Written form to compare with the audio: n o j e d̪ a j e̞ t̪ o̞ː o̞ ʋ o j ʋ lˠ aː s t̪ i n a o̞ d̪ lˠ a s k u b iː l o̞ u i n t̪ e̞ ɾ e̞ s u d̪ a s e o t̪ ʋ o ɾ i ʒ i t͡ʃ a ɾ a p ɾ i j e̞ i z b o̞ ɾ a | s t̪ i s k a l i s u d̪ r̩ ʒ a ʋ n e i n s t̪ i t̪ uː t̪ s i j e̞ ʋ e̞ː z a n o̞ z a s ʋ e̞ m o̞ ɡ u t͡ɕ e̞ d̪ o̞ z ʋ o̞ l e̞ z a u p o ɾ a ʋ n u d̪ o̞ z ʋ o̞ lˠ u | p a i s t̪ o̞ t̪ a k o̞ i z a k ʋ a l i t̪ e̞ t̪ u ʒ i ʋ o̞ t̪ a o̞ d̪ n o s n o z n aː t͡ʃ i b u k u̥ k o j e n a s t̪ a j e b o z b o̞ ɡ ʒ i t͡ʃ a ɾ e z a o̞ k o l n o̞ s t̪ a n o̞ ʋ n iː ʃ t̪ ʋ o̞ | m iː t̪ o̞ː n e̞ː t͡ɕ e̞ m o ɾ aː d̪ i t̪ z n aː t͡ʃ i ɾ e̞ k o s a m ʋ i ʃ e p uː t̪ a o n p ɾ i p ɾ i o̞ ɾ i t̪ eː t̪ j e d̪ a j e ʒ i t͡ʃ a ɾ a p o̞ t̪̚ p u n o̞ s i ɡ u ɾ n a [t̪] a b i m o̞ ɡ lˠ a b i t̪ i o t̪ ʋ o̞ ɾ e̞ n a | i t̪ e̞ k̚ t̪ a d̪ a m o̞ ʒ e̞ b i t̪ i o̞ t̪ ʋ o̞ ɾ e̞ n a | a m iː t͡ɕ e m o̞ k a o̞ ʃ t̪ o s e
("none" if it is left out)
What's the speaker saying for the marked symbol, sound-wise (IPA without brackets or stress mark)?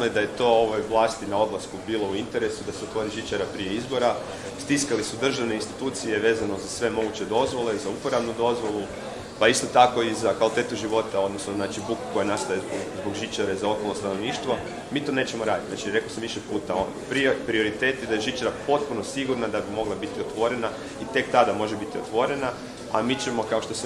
d̪